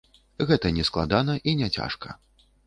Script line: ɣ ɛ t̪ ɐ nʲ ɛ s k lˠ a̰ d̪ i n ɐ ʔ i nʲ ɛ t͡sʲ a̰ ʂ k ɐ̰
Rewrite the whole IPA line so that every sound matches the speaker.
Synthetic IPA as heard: ɣ ɛ t̪ ɐ nʲ ɛ s k lˠ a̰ d̪ a n ɐ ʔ i nʲ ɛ t͡sʲ a̰ ʂ k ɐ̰